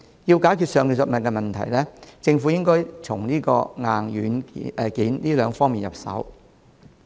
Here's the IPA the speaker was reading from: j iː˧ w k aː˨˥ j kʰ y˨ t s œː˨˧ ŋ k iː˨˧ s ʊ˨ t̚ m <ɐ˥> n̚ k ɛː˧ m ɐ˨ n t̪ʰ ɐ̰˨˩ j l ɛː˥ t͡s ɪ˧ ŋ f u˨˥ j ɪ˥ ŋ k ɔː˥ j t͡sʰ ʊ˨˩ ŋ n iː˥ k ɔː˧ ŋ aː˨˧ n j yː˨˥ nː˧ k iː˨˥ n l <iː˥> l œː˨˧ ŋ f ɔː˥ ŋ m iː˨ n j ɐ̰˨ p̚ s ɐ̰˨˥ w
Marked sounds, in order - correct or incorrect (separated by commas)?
incorrect, correct